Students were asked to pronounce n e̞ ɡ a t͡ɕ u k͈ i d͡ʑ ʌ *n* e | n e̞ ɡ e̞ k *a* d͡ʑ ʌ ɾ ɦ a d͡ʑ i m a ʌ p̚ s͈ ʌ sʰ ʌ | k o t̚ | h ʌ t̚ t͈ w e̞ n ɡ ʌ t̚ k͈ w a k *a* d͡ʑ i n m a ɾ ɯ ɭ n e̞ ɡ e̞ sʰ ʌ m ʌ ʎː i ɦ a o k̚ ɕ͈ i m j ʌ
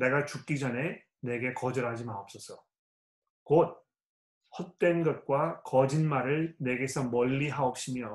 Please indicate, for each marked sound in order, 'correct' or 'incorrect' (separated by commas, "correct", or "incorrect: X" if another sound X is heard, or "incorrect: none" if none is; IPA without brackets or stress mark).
correct, incorrect: ʌ, incorrect: ʌ